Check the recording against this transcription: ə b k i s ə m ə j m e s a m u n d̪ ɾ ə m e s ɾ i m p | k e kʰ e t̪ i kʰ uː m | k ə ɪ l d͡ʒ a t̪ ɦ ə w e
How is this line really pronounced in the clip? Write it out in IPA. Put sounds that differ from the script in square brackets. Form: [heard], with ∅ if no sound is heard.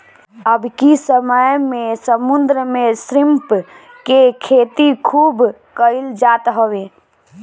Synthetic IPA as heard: ə b k i s ə m ə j m e s [ə] m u n d̪ ɾ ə m e s ɾ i m p | k e kʰ e t̪ i kʰ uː [b] | k ə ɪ l d͡ʒ a t̪ ɦ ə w e